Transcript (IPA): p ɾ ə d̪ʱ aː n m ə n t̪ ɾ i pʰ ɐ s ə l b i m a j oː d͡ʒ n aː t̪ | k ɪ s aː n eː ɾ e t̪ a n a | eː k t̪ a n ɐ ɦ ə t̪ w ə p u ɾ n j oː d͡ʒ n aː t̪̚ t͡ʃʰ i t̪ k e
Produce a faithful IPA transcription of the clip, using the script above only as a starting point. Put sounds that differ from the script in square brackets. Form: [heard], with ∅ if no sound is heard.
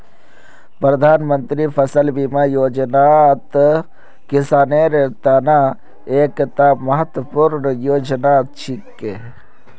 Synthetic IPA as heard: p ɾ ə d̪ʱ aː n m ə n t̪ ɾ i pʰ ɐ s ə l b i m a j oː d͡ʒ n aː t̪ | k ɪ s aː n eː ɾ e t̪ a n a | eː k t̪ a [m] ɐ ɦ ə t̪ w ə p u ɾ n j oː d͡ʒ n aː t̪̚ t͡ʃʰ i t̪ k e